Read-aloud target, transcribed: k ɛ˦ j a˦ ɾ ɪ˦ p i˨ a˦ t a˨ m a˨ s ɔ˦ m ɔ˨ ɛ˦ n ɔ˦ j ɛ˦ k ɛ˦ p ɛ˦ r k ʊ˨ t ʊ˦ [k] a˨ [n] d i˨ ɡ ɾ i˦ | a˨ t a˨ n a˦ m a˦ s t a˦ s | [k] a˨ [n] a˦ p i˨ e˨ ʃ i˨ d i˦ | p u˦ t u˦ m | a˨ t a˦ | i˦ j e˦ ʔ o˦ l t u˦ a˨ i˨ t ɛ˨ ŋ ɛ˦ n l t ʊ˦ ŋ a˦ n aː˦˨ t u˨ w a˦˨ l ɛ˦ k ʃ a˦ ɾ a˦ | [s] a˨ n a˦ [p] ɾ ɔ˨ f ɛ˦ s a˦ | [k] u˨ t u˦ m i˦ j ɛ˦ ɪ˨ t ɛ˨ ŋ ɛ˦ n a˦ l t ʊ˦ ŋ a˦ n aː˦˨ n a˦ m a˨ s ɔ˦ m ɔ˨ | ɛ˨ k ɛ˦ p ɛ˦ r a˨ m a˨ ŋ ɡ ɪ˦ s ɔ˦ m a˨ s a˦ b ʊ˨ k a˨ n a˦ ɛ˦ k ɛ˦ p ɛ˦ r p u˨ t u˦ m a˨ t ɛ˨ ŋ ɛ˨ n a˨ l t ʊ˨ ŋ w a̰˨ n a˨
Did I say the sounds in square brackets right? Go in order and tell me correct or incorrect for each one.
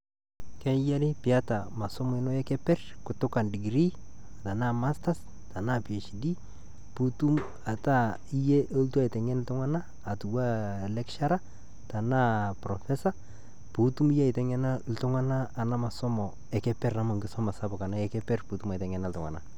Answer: correct, correct, incorrect: t, correct, incorrect: t, correct, incorrect: p

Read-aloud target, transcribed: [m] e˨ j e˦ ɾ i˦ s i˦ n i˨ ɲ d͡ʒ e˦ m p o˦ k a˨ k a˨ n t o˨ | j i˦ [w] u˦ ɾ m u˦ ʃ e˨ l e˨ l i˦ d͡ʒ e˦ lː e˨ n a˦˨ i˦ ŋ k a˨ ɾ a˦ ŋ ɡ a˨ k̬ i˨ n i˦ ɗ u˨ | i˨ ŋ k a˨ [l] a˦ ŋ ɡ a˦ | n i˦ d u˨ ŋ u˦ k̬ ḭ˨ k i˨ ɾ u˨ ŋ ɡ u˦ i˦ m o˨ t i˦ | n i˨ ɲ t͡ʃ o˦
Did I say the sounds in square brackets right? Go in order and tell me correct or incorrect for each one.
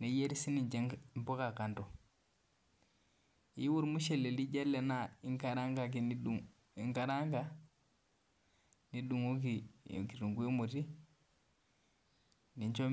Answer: incorrect: n, correct, incorrect: ɾ

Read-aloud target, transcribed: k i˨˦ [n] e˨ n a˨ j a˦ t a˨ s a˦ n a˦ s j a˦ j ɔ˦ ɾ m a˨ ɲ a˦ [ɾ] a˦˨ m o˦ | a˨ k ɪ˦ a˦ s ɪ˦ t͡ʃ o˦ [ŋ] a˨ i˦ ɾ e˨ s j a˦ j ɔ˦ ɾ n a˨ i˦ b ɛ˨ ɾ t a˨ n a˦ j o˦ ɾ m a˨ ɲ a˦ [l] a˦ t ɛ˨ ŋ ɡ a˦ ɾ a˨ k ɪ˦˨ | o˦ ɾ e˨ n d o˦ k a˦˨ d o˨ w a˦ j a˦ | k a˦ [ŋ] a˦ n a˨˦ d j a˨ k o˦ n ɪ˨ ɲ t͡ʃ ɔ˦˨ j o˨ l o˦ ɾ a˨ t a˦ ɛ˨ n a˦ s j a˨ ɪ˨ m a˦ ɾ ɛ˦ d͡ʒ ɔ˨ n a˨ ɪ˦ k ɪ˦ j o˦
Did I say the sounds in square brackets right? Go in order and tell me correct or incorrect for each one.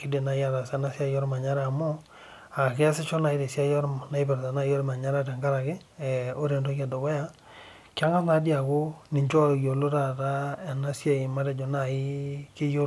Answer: incorrect: d, correct, incorrect: n, incorrect: ɾ, correct

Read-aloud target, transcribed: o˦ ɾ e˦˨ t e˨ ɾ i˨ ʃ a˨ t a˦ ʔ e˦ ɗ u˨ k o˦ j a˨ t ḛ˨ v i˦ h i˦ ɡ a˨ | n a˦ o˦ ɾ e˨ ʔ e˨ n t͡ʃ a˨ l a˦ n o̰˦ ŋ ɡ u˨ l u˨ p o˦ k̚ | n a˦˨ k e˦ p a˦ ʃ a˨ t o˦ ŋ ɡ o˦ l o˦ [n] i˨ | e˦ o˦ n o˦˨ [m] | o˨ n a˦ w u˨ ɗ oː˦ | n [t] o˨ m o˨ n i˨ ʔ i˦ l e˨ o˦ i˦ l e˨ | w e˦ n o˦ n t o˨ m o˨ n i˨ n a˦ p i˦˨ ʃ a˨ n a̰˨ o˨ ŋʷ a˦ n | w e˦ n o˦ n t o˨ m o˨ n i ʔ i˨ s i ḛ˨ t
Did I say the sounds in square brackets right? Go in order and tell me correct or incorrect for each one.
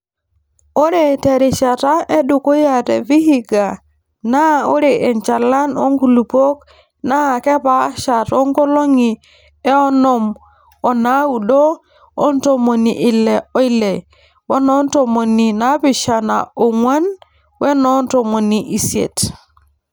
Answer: incorrect: ŋ, correct, correct

